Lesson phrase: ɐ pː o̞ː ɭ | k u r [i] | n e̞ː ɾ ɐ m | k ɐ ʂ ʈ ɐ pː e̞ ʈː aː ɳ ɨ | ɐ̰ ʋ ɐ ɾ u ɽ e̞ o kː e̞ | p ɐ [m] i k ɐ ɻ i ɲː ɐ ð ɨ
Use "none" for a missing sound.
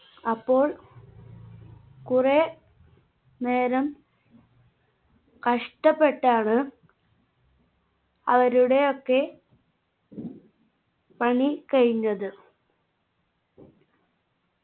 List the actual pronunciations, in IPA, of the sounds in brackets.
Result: e, ɳ

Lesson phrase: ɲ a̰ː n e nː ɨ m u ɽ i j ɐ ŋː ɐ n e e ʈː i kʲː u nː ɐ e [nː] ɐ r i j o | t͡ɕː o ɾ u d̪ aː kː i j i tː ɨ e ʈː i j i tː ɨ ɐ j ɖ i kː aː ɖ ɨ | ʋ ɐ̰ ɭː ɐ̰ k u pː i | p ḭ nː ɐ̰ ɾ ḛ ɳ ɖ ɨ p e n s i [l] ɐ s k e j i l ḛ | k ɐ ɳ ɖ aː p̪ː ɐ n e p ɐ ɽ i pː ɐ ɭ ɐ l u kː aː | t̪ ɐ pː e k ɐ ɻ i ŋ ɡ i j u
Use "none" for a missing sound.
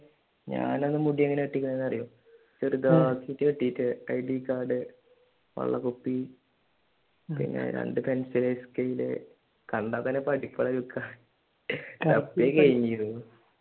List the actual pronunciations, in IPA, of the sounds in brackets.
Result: nː, l

